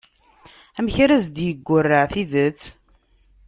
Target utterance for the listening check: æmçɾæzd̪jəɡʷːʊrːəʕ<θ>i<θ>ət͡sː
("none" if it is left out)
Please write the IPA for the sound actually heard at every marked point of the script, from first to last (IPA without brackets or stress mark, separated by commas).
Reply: θ, ð